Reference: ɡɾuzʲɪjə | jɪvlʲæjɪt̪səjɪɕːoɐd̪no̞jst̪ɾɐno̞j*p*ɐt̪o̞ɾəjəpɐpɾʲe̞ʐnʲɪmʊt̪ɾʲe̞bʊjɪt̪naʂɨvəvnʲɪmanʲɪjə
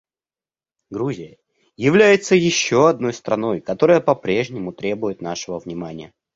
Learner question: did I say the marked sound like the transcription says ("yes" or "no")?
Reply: no